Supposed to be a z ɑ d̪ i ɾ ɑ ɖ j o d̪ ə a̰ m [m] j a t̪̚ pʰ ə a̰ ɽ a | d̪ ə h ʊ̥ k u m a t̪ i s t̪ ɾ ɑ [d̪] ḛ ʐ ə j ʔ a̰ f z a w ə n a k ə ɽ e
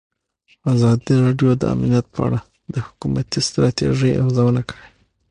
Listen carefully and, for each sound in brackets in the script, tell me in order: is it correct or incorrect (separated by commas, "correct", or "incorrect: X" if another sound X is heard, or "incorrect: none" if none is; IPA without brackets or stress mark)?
incorrect: n, incorrect: t̪